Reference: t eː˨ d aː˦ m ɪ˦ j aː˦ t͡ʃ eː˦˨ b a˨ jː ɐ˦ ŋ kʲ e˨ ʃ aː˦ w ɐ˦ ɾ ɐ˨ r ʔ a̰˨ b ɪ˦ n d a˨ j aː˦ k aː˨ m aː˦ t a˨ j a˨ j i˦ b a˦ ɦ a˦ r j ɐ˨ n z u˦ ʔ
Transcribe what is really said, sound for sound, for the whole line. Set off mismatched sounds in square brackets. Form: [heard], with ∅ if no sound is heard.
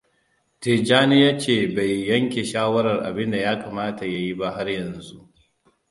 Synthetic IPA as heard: t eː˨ [d͡ʒ] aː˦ [n] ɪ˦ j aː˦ t͡ʃ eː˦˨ b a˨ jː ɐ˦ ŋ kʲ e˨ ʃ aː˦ w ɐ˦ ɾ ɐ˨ r ʔ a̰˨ b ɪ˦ n d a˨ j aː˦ k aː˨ m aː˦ t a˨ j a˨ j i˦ b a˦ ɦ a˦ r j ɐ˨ n z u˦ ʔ